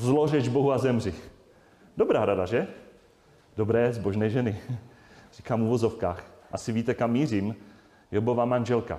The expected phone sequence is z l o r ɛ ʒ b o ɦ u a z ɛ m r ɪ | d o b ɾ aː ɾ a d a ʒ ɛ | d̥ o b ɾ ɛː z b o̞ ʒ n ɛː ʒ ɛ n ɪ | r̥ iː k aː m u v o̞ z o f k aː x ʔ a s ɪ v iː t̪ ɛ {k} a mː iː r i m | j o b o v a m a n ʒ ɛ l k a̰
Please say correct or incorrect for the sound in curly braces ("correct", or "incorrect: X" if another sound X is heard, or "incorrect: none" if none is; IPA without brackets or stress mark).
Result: correct